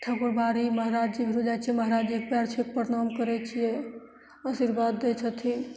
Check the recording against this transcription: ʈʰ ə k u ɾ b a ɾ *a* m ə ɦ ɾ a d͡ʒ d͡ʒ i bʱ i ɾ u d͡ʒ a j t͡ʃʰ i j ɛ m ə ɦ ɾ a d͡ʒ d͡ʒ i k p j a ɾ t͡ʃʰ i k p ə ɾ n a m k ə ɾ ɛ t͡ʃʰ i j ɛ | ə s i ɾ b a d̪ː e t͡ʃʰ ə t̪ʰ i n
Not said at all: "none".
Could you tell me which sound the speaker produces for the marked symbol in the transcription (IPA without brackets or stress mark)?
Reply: i